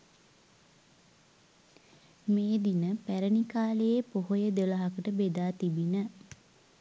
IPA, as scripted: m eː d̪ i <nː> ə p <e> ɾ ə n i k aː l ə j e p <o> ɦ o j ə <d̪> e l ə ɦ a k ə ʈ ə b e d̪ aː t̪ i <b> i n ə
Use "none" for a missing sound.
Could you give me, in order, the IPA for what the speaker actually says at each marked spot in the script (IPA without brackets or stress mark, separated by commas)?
n, æ, o, d̪, b